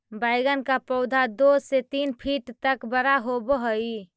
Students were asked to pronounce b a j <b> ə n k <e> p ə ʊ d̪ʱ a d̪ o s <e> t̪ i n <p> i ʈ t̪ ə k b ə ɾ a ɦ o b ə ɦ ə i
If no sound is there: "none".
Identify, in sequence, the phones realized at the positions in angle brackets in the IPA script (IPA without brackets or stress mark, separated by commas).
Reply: ɡ, a, e, pʰ